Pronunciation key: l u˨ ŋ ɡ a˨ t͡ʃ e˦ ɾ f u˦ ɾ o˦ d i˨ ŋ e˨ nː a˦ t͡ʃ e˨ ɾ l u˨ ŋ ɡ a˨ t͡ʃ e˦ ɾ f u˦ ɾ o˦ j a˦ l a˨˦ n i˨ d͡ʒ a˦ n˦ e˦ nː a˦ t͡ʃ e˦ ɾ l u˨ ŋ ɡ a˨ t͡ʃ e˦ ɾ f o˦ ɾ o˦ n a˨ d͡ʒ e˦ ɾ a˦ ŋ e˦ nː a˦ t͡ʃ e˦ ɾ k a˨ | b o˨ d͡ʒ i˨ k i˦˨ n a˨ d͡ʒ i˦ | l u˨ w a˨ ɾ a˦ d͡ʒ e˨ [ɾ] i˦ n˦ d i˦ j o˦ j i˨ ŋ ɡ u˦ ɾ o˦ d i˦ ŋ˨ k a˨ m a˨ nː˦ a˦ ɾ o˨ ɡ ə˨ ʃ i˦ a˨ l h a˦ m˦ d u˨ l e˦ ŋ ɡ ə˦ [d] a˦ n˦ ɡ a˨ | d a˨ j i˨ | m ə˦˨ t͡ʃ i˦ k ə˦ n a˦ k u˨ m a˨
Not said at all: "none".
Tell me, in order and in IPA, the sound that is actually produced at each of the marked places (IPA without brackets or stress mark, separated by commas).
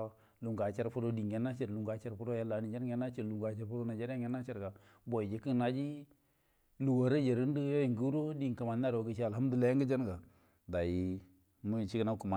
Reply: ɾ, d͡ʒ